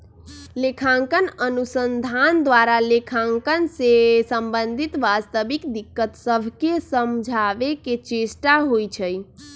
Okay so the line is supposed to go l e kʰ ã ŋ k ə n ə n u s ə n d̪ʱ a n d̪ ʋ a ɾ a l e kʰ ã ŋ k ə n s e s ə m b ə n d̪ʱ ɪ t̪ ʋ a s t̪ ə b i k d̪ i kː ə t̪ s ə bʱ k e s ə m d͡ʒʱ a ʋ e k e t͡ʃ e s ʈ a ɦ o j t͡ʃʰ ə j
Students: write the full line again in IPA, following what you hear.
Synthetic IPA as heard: l e kʰ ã ŋ k ə n ə n u s ə n d̪ʱ a n d̪ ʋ a ɾ a l e kʰ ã ŋ k ə n s e s ə m b ə n d̪ʱ i t̪ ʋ a s t̪ ə b i k d̪ i kː ə t̪ s ə bʱ k e s ə m d͡ʒʱ a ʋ e k e t͡ʃ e s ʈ a ɦ o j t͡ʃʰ ə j